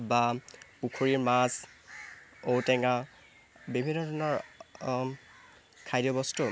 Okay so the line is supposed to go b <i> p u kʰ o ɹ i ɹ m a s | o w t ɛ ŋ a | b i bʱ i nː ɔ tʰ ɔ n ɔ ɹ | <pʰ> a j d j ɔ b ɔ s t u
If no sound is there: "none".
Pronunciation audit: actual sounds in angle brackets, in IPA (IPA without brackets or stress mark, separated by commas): a, kʰ